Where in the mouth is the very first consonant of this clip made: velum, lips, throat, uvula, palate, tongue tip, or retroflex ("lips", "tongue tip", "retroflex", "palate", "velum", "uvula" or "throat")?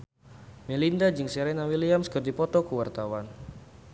lips